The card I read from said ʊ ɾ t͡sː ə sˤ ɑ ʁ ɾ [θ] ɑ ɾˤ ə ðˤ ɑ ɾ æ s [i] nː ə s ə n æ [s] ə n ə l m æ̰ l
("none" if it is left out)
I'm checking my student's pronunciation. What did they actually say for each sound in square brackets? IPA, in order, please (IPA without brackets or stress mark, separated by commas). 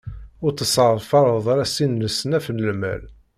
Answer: f, i, f